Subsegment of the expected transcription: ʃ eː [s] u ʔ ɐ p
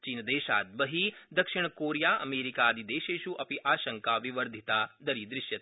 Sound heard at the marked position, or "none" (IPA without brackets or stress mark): ʃ